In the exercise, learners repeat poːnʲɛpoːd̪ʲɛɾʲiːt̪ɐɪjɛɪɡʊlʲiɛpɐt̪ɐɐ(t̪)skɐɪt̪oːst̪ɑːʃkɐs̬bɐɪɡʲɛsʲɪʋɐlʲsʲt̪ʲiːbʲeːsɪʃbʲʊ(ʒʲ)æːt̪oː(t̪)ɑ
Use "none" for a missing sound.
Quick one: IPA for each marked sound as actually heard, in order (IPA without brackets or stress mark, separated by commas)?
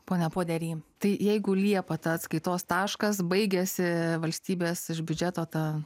t̪, d͡ʒʲ, t̪